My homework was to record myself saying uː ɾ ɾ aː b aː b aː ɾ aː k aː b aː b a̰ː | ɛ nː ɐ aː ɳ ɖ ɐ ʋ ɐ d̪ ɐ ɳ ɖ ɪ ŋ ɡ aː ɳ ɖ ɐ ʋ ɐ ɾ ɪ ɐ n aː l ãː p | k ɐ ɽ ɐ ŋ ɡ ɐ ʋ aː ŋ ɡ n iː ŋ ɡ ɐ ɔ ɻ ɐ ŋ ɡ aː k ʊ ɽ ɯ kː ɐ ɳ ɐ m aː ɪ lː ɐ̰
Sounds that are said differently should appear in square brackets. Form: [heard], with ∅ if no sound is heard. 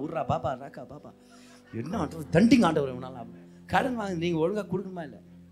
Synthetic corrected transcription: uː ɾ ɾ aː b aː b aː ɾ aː k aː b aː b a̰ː | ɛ nː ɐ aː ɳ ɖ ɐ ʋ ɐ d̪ ɐ ɳ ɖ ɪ ŋ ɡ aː ɳ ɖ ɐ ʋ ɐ ɾ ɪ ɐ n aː l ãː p | k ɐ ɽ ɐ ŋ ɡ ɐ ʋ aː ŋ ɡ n iː ŋ ɡ ɐ ɔ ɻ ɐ ŋ ɡ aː k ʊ ɽ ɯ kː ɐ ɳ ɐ m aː ɪ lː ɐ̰